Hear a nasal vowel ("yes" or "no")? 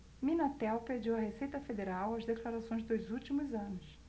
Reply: yes